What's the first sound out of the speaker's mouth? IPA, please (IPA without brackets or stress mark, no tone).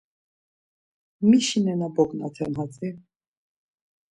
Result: m